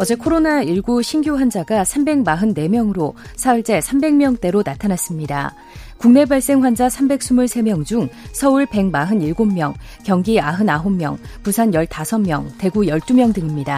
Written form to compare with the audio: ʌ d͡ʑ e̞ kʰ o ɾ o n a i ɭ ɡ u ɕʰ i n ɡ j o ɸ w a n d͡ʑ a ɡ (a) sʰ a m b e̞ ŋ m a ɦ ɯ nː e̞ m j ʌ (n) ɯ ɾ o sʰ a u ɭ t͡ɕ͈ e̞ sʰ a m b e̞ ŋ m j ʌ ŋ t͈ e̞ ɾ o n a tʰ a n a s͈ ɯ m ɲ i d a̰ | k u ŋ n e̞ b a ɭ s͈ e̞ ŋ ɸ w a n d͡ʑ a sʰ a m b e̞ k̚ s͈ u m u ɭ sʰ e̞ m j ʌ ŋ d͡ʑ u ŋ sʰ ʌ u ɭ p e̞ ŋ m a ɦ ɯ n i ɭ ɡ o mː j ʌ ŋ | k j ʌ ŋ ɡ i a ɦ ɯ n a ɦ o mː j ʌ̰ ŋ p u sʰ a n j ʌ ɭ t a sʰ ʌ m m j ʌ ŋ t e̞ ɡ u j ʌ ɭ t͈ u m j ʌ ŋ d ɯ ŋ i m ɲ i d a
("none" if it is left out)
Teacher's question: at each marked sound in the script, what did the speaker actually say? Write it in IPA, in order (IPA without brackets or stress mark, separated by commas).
a, ŋ